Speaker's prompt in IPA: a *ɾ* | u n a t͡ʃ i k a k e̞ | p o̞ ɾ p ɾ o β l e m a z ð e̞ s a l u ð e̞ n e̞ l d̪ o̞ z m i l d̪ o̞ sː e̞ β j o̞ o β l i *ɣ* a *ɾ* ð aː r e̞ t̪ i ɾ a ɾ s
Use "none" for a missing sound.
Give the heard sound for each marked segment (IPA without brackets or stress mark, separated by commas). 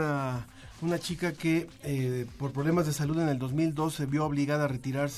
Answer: none, ɣ, none